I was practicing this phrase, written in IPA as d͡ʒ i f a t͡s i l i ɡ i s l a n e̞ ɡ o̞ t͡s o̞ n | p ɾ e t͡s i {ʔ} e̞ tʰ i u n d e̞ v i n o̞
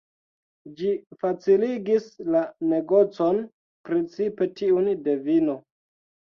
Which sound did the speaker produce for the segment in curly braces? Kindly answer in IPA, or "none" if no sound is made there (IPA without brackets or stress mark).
p